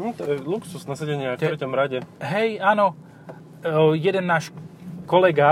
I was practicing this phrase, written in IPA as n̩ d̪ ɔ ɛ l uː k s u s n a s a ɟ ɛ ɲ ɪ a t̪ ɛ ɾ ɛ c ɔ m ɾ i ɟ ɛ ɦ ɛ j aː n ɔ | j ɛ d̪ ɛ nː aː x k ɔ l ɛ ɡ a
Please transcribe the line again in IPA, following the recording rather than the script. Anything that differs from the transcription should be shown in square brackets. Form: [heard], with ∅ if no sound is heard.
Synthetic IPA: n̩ [t̪] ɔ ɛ l [u] k s u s n a s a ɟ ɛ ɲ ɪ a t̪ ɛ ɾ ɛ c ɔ m ɾ [a] ɟ ɛ ɦ ɛ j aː n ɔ | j ɛ d̪ ɛ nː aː [ʃ] k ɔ l ɛ ɡ a